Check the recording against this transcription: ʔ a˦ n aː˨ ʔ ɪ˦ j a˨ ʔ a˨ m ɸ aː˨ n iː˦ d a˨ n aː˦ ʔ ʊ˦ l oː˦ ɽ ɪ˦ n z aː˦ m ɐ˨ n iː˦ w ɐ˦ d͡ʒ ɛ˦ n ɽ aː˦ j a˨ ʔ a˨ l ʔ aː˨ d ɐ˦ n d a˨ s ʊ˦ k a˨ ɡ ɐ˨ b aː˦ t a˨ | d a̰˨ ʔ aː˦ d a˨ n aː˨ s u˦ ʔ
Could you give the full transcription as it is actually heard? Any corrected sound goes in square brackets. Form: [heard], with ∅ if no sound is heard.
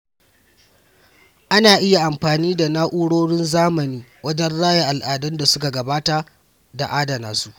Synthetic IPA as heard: ʔ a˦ n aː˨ ʔ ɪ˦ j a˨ ʔ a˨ m ɸ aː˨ n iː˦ d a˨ n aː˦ ʔ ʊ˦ [ɽ] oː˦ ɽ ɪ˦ n z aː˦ m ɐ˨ n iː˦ w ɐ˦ d͡ʒ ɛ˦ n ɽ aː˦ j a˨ ʔ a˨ l ʔ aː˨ d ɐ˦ n d a˨ s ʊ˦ k a˨ ɡ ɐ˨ b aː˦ t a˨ | d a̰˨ ʔ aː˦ d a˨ n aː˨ s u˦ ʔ